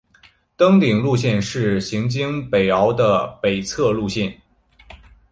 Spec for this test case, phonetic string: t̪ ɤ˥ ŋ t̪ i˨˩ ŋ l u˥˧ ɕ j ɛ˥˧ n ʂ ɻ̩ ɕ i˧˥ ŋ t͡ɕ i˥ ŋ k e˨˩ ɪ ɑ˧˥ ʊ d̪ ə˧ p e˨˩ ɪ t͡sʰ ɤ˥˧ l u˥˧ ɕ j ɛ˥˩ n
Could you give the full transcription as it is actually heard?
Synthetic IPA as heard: t̪ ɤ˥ ŋ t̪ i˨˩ ŋ l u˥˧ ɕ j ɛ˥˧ n ʂ ɻ̩ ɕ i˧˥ ŋ t͡ɕ i˥ ŋ p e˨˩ ɪ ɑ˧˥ ʊ d̪ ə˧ p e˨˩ ɪ t͡sʰ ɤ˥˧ l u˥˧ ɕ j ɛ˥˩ n